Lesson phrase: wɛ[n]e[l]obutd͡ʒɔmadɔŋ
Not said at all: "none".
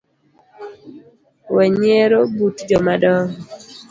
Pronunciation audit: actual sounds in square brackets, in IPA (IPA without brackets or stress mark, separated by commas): ɲ, ɾ